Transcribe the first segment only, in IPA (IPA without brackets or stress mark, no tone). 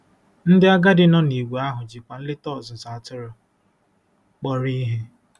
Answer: n̩